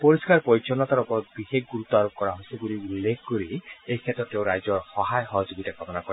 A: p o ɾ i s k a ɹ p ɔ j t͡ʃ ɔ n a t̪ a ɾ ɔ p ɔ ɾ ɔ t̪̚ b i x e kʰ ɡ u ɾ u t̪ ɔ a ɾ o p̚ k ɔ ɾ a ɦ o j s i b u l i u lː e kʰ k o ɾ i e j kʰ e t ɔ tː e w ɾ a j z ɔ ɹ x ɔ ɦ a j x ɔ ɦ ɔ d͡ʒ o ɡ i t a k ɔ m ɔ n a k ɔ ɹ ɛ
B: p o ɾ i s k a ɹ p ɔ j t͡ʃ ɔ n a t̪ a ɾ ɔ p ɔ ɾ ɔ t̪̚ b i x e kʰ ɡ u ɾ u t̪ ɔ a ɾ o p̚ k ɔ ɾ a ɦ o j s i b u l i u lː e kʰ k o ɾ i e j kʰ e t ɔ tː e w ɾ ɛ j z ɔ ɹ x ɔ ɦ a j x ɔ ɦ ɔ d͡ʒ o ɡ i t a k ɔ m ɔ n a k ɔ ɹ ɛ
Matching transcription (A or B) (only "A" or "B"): A